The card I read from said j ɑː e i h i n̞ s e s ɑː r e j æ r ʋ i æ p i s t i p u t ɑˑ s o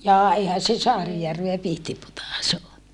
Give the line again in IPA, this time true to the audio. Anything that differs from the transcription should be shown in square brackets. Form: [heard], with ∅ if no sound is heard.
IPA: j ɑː e i h [æ] n̞ s e s ɑː r [i] j æ r ʋ [e] æ p i [h] t i p u t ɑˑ s o